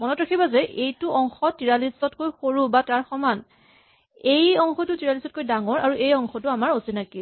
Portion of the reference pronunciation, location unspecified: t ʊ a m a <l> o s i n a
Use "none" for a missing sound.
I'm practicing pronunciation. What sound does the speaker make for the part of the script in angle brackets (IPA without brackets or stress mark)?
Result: ɹ